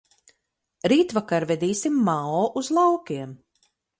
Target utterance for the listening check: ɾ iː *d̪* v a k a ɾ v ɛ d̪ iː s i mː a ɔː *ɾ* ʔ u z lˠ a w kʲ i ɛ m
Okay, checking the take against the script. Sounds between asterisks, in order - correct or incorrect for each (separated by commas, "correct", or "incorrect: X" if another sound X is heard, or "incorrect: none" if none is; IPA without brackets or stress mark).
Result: incorrect: t̪, incorrect: none